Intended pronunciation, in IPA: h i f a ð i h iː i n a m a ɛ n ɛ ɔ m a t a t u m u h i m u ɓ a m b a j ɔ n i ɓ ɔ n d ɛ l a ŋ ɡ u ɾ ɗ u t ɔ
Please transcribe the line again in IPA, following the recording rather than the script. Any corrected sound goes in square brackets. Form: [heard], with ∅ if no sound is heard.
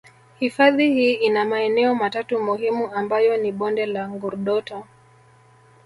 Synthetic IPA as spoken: h i f a ð i h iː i n a m a ɛ n ɛ ɔ m a t a t u m u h i m u [∅] a m b a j ɔ n i ɓ ɔ n d ɛ l a ŋ ɡ u ɾ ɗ [ɔ] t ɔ